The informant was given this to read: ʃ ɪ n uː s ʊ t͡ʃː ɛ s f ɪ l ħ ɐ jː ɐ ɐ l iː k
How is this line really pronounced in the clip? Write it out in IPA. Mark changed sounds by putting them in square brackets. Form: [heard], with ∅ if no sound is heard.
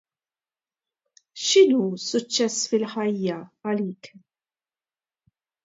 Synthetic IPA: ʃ ɪ n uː s ʊ t͡ʃː ɛ s f ɪ l ħ ɐ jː ɐ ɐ l iː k